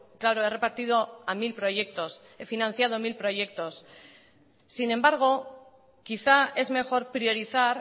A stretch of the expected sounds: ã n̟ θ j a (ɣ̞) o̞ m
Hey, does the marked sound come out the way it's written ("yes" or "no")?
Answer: no